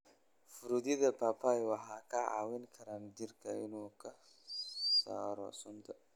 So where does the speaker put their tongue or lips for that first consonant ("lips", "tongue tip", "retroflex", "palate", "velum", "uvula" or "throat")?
lips